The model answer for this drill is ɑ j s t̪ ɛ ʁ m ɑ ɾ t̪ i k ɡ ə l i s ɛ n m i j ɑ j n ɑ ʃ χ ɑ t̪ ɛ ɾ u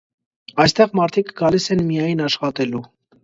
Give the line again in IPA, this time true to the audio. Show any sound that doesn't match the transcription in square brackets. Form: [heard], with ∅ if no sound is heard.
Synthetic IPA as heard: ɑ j s t̪ ɛ ʁ m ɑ ɾ [t̪ʰ] i k ɡ [ɑ] l i s ɛ n m i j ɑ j n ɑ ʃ χ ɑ t̪ ɛ [l] u